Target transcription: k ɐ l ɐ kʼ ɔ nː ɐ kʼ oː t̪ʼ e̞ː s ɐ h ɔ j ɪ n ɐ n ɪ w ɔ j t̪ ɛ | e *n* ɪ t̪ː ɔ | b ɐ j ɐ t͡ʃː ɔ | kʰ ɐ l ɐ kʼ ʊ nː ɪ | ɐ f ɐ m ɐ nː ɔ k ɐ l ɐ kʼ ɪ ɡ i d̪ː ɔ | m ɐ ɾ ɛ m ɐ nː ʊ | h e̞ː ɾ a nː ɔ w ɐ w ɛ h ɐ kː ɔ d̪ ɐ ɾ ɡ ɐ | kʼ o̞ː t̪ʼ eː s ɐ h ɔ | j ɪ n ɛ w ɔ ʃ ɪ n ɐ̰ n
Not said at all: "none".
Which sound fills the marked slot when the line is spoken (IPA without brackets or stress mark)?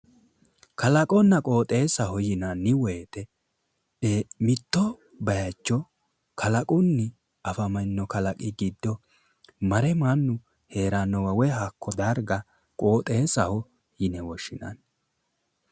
m